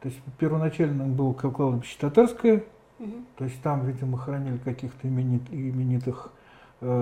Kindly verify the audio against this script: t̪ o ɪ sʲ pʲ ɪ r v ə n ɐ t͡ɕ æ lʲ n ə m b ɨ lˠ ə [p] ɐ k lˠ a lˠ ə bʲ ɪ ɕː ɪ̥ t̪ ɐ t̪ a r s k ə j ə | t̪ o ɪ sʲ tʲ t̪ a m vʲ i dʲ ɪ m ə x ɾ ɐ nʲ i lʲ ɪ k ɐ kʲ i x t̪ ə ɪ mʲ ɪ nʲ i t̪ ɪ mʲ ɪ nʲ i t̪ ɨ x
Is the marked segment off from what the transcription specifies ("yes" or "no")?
yes